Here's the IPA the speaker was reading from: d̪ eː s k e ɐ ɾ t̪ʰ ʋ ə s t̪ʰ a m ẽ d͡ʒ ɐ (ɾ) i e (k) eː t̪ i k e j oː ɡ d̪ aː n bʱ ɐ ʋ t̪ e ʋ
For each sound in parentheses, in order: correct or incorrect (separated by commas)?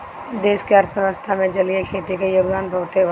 incorrect, incorrect